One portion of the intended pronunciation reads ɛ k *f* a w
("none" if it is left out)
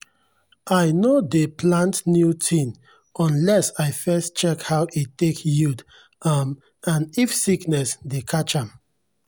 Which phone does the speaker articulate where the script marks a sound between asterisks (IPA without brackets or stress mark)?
h